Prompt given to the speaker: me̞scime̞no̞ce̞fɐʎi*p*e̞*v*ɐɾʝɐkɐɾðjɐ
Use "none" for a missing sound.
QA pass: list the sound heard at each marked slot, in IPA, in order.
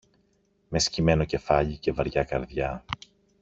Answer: c, v

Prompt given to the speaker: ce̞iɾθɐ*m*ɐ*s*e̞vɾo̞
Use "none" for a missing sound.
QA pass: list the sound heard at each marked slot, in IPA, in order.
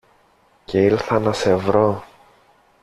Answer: n, s

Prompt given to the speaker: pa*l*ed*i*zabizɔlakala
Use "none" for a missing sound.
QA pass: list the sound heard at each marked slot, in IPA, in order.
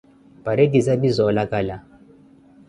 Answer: ɾ, i

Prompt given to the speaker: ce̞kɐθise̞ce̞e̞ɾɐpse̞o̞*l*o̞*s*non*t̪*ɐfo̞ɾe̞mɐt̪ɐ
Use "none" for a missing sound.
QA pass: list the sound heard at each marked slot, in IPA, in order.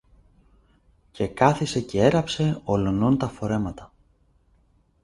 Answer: l, none, t̪

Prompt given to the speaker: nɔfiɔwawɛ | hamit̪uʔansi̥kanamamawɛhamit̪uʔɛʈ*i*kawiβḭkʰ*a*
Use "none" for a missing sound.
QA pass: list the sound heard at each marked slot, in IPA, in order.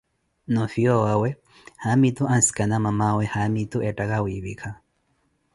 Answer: a, a

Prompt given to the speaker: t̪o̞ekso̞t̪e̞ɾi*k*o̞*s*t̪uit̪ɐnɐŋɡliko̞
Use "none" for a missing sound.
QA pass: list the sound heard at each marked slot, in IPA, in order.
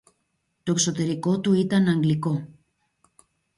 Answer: k, none

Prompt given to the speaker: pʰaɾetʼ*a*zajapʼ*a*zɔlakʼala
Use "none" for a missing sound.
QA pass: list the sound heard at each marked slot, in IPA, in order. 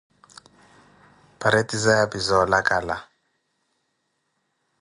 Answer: i, i

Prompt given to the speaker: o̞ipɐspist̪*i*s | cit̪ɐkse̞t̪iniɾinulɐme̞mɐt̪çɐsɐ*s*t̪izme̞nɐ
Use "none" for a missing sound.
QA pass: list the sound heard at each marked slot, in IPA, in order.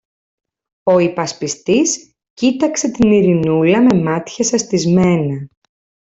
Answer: i, s

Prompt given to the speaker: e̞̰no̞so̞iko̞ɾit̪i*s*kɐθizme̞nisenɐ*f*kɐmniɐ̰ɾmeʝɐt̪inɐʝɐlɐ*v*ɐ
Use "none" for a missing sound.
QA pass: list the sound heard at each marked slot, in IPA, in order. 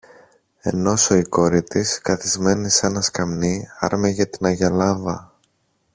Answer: s, s, v

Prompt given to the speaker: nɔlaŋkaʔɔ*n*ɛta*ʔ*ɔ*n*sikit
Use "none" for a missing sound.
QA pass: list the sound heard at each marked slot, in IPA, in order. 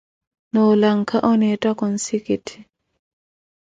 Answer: n, k, n

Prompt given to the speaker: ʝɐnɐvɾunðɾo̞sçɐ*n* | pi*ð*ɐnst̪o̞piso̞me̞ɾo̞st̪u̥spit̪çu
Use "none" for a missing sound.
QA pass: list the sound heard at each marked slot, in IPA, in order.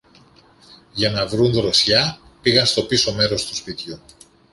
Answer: none, ɣ

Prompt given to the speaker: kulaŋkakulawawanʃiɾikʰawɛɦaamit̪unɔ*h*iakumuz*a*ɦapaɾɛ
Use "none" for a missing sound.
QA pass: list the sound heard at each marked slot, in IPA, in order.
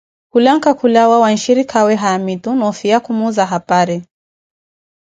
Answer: f, a

